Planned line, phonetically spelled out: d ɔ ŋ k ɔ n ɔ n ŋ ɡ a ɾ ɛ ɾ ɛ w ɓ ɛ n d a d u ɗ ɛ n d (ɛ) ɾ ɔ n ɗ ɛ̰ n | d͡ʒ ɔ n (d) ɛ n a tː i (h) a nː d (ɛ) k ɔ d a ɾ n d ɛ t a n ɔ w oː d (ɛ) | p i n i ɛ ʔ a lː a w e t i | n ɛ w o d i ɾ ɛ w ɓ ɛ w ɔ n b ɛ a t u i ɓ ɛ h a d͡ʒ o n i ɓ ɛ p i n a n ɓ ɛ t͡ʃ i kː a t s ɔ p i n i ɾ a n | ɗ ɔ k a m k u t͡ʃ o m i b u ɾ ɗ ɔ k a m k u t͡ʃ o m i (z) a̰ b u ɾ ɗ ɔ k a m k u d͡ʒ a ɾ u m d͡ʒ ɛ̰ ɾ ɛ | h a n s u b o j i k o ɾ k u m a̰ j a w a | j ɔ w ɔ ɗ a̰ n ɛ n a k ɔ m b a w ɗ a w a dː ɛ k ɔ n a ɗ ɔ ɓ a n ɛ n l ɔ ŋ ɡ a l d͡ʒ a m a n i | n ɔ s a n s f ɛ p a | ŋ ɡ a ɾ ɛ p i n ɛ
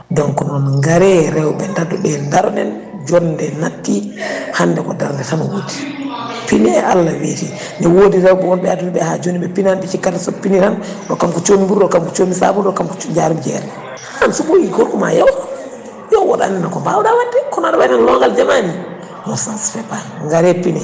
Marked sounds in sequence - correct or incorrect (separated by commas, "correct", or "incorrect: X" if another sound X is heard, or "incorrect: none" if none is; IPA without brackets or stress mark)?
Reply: incorrect: a, correct, correct, correct, incorrect: i, incorrect: s